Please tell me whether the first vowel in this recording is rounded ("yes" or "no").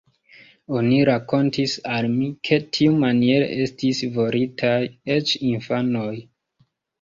yes